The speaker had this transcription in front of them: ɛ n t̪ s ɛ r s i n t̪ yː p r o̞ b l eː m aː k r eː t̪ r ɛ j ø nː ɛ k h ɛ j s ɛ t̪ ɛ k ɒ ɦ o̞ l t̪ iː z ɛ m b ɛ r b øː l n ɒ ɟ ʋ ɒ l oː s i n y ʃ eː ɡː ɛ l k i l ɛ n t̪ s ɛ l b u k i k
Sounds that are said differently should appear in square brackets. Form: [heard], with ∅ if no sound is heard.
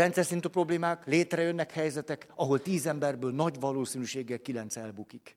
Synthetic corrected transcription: ɛ n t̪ s ɛ r s i n t̪ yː p r o̞ b l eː m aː k [l] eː t̪ r ɛ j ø nː ɛ k h ɛ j [z] ɛ t̪ ɛ k ɒ ɦ o̞ l t̪ iː z ɛ m b ɛ r b øː l n ɒ ɟ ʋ ɒ l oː s i n y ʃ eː ɡː ɛ l k i l ɛ n t̪ s ɛ l b u k i k